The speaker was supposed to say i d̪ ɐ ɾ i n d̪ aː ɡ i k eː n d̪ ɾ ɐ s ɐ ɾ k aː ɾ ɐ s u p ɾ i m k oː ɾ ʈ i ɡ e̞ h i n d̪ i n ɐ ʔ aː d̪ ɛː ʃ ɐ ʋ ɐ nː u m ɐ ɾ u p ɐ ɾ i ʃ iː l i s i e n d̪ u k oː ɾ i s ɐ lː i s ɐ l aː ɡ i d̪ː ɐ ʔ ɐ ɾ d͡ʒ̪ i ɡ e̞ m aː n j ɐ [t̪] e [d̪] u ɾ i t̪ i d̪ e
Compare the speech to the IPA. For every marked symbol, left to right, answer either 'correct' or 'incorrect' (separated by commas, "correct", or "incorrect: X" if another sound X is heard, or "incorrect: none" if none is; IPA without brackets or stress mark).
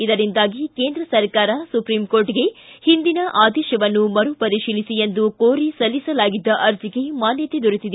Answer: correct, correct